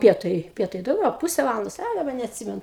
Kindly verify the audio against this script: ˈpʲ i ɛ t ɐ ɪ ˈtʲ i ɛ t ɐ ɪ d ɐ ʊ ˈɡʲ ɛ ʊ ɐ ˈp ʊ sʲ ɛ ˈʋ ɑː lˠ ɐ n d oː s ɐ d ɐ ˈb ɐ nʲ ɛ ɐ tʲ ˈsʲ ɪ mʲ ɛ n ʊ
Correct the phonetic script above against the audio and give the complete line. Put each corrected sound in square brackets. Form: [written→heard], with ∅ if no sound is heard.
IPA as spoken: ˈpʲ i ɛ t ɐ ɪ [ˈtʲ→ˈpʲ] i ɛ t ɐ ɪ d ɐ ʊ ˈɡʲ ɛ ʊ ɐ ˈp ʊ sʲ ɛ ˈʋ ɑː lˠ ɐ n d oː s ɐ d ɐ ˈb ɐ nʲ ɛ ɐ tʲ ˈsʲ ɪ mʲ ɛ n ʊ